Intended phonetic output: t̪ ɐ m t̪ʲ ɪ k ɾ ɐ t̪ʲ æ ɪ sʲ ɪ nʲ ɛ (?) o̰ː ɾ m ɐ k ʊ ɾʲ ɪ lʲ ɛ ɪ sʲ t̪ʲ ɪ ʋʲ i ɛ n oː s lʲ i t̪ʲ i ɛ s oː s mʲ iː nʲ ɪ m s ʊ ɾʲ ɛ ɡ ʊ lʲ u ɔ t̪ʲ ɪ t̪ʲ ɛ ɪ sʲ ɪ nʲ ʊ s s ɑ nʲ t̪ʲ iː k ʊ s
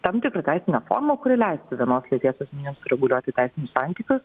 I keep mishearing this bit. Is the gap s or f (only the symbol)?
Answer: f